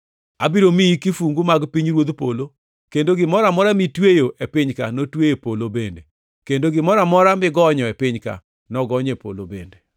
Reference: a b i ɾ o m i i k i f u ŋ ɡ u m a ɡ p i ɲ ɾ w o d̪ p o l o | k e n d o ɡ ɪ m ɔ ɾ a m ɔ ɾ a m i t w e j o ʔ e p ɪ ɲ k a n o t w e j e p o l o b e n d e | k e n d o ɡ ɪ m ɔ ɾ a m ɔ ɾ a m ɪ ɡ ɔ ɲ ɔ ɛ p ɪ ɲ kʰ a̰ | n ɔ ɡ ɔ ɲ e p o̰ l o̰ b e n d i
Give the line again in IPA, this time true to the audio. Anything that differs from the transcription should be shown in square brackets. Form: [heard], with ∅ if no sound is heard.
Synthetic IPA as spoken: a b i ɾ o m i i k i f u ŋ ɡ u m a ɡ p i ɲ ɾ w o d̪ p o l o | k e n d o ɡ ɪ m ɔ ɾ a m ɔ ɾ a m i t w e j o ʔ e p ɪ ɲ k a n o t w e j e p o l o b e n d e | k e n d o ɡ ɪ m ɔ ɾ a m ɔ ɾ a m ɪ ɡ ɔ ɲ ɔ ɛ p ɪ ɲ [k] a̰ | n ɔ ɡ ɔ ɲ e p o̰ l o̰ b e n d [e]